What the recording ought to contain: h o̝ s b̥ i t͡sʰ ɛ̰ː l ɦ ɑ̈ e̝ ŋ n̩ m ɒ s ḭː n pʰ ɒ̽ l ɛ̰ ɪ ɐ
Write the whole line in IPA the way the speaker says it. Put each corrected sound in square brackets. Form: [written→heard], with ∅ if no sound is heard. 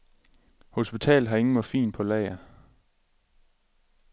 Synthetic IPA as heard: h o̝ s b̥ i t͡sʰ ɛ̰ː l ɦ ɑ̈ e̝ ŋ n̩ m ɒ [s→f] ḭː n pʰ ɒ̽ l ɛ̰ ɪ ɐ